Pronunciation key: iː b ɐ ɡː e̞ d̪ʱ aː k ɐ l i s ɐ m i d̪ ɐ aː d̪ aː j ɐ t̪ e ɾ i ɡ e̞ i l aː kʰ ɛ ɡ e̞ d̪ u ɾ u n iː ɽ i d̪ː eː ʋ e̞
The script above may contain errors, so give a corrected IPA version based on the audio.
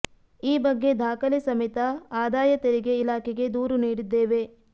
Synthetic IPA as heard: iː b ɐ ɡː e̞ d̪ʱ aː k ɐ l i s ɐ m i t̪ ɐ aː d̪ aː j ɐ t̪ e ɾ i ɡ e̞ i l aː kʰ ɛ ɡ e̞ d̪ uː ɾ u n iː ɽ i d̪ː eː ʋ e̞